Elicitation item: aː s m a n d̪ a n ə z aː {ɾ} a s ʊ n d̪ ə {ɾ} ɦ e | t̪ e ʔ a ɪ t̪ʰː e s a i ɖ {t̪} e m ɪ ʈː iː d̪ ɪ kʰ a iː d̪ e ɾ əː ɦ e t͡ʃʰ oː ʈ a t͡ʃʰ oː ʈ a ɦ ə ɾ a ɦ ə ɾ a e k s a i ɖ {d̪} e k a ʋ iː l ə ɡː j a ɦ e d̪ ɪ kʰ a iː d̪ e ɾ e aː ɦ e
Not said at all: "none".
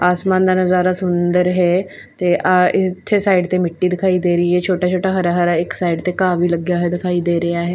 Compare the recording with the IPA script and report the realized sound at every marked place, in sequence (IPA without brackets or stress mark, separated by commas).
ɾ, ɾ, t̪, t̪